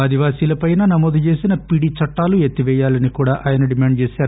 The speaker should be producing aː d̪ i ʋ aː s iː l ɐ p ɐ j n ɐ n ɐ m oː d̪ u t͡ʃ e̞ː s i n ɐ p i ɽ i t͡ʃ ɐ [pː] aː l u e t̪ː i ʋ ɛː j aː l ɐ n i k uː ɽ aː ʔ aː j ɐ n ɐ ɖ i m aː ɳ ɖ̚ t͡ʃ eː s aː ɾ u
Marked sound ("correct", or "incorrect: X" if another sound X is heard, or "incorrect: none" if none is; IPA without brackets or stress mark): incorrect: ʈː